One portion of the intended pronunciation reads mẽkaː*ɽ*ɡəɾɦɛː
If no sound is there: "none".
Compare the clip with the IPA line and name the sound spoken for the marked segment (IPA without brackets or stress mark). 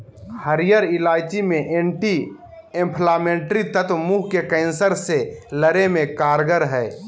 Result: ɾ